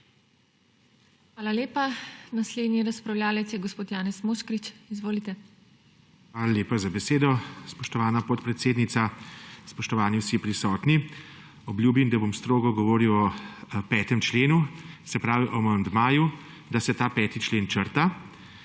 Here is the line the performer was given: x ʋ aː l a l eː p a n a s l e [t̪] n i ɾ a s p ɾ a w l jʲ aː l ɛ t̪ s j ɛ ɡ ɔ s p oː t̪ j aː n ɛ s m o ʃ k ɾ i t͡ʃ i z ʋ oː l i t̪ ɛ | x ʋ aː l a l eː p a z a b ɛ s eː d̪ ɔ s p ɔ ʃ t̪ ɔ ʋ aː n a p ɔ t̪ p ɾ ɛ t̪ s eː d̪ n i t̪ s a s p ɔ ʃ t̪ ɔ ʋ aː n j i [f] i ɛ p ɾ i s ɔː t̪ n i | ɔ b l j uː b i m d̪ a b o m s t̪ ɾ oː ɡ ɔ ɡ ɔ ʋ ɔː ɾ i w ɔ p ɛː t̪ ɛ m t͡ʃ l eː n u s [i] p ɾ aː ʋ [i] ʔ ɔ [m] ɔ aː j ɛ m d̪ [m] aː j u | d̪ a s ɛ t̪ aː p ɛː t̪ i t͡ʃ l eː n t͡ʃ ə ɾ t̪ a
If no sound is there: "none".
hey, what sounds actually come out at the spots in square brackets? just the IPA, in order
d̪, s, ɛ, i, m, m

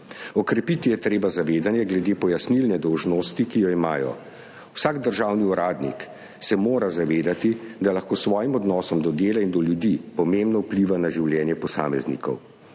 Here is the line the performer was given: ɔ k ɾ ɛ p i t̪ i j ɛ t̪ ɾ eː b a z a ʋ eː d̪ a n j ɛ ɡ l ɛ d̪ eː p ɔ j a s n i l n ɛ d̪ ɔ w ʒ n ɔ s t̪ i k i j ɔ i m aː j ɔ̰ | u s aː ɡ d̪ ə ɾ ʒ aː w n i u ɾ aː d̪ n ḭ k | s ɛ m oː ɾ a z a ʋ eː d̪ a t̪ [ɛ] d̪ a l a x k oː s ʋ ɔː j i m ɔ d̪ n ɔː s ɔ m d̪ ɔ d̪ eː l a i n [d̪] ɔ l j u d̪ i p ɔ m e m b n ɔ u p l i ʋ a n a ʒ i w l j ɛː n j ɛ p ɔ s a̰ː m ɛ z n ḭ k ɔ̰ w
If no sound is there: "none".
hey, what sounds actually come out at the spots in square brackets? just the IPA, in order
i, d̪

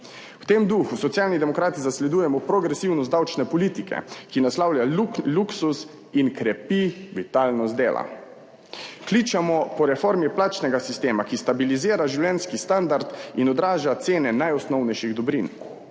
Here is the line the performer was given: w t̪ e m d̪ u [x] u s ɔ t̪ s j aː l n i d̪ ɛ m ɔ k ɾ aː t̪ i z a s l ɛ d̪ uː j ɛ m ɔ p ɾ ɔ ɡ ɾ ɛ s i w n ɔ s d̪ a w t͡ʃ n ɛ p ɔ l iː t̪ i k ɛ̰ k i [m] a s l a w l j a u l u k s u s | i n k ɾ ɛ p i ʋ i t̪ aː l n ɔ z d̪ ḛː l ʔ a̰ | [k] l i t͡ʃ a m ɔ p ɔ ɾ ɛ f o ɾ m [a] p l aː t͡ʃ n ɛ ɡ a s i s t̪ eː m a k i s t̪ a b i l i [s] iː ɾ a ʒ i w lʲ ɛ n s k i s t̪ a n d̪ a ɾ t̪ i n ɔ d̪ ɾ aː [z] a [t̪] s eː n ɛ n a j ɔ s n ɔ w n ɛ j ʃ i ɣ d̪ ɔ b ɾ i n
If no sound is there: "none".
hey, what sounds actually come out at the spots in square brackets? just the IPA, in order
x, n, k, i, z, ʒ, t̪

